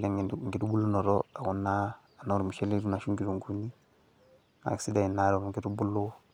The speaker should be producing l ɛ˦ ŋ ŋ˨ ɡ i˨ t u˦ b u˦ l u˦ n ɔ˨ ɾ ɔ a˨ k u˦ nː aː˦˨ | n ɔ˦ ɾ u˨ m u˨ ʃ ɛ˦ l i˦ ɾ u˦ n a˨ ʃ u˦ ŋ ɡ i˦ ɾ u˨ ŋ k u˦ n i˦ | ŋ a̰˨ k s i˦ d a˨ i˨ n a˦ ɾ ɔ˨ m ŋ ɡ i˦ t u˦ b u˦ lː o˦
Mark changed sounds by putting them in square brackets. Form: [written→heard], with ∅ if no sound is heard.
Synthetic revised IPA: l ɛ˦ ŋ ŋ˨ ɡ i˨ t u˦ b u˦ l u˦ n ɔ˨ ɾ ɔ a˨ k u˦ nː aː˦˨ | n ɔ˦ ɾ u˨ m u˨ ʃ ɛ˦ l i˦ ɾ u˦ n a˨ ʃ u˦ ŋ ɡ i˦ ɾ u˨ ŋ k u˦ n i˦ | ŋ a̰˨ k s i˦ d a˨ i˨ n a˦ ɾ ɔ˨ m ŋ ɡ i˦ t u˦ b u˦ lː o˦

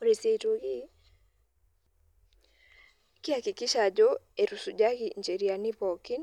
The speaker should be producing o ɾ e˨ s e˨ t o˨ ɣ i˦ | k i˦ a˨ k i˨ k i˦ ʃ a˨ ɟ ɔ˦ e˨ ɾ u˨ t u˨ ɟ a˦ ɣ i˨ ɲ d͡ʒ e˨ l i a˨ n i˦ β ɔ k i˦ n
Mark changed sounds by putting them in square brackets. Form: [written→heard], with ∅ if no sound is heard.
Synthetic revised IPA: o ɾ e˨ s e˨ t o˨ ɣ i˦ | k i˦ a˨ k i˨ k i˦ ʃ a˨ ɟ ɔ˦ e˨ ɾ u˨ [t→s] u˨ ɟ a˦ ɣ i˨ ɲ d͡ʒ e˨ [l→ɾ] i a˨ n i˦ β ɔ k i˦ n

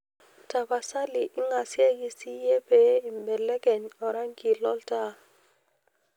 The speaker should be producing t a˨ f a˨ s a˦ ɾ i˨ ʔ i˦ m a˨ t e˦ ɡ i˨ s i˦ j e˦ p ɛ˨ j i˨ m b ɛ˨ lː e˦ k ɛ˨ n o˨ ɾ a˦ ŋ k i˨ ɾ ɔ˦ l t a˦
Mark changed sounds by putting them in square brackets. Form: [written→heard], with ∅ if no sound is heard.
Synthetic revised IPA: t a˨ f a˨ s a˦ [ɾ→l] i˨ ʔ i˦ [m→ŋ] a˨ [t→s] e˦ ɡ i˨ s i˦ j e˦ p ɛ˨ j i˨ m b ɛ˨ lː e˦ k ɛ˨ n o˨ ɾ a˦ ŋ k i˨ [ɾ→l] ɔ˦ l t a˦

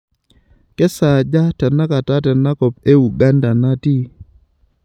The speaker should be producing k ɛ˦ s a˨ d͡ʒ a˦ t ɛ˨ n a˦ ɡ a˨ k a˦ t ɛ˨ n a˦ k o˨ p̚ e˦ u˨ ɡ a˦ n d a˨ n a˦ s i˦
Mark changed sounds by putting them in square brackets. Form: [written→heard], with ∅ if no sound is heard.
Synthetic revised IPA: k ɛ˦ s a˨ d͡ʒ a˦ t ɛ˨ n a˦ [ɡ→k] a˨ [k→t] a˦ t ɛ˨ n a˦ k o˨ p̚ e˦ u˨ ɡ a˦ n d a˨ n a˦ [s→t] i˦

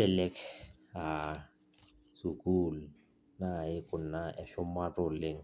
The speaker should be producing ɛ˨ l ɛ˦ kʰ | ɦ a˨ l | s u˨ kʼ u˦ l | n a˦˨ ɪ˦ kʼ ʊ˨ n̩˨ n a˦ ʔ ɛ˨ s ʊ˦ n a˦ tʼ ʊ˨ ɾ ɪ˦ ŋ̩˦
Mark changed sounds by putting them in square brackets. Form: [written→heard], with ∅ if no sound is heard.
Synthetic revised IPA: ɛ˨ l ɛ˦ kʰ | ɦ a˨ [l→∅] | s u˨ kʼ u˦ l | n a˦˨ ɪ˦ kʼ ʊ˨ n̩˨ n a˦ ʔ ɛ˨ [s→ʃ] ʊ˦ [n→m] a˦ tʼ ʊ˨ [ɾ→l] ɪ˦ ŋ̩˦

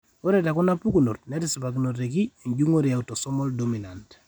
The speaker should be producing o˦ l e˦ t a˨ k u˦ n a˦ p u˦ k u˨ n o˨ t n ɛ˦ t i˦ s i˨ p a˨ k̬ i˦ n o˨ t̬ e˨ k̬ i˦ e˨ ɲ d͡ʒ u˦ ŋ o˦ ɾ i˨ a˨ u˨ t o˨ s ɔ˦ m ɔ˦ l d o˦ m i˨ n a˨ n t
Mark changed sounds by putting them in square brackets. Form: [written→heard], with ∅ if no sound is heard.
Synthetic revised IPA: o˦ [l→ɾ] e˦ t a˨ k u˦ n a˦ p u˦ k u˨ n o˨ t n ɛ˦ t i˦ s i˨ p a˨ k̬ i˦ n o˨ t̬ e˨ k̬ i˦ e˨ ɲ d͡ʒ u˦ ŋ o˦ ɾ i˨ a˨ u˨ t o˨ s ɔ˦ m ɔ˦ l d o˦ m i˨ n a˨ n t

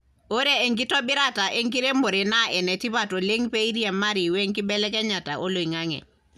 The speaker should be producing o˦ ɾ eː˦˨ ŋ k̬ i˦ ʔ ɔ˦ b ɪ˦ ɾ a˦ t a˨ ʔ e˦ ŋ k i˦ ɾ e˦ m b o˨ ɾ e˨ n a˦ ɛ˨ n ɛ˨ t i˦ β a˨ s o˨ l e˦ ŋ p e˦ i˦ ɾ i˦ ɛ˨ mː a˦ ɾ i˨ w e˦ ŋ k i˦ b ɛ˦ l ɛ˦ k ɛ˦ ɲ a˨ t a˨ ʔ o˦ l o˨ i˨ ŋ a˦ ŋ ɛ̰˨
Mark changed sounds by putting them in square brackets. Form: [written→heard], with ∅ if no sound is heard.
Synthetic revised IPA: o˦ ɾ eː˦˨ ŋ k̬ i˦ [ʔ→t] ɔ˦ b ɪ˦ ɾ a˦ t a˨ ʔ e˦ ŋ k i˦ ɾ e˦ m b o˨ ɾ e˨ n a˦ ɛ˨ n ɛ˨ t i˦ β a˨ [s→t] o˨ l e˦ ŋ p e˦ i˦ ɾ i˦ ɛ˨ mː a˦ ɾ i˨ w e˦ ŋ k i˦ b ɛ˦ l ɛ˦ k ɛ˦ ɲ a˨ t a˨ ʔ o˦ l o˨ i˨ ŋ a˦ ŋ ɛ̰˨

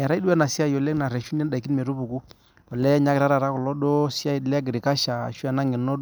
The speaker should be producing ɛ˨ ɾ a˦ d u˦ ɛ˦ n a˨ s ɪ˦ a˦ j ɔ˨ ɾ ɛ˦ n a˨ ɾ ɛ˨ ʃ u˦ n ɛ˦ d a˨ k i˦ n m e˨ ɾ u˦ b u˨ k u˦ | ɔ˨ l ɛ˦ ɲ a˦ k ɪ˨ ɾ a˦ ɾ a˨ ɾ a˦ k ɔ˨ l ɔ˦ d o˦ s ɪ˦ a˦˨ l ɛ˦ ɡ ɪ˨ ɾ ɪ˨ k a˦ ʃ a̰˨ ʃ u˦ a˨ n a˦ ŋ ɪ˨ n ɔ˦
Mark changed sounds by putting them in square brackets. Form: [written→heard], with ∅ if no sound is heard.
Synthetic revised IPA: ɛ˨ ɾ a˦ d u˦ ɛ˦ n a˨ s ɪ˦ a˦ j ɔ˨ [ɾ→l] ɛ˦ n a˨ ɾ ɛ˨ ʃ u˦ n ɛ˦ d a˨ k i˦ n m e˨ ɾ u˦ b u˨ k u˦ | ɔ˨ l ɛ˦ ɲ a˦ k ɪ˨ ɾ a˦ ɾ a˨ ɾ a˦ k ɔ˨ l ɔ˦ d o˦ s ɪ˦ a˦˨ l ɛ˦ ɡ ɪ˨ ɾ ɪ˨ k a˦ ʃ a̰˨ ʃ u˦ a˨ n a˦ ŋ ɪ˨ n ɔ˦

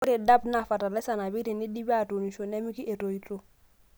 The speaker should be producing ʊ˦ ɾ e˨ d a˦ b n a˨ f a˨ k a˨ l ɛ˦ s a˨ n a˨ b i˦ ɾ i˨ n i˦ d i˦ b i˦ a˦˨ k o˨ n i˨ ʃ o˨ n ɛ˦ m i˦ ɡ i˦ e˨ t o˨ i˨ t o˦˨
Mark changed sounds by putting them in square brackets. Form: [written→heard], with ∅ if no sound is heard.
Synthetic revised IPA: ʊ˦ ɾ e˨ d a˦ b n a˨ f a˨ [k→t] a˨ l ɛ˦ s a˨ n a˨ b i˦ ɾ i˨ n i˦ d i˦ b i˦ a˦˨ [k→t] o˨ n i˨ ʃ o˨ n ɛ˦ m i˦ [ɡ→k] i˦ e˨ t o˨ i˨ t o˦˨

